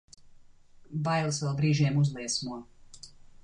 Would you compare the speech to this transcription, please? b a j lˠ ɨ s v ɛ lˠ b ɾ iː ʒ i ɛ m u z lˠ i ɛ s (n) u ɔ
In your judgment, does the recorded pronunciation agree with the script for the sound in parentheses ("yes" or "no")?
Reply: no